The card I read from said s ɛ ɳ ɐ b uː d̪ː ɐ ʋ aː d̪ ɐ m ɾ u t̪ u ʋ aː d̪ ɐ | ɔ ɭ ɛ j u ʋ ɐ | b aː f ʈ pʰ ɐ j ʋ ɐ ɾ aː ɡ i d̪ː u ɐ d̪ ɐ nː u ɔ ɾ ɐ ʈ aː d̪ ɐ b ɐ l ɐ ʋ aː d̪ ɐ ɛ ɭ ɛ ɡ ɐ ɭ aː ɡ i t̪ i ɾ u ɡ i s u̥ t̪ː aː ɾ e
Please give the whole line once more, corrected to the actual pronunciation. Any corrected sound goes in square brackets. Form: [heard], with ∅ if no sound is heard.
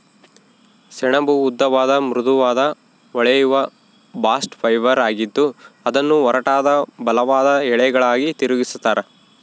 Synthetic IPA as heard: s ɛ ɳ ɐ b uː d̪ː ɐ ʋ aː d̪ ɐ m ɾ u [d̪] u ʋ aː d̪ ɐ | ɔ ɭ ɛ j u ʋ ɐ | b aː [s] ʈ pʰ ɐ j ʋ ɐ ɾ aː ɡ i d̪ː u ɐ d̪ ɐ nː u ɔ ɾ ɐ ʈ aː d̪ ɐ b ɐ l ɐ ʋ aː d̪ ɐ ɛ ɭ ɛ ɡ ɐ ɭ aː ɡ i t̪ i ɾ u ɡ i s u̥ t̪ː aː ɾ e